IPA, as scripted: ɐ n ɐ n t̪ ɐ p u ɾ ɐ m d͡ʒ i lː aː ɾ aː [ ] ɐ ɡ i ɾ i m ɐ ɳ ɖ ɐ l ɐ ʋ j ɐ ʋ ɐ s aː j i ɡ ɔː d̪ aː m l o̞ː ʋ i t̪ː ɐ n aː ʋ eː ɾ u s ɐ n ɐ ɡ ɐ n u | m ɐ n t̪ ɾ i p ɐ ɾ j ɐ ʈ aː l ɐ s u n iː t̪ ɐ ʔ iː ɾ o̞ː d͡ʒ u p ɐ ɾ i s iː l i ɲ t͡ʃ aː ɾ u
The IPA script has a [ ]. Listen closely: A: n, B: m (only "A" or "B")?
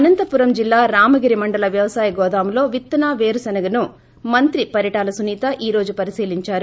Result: B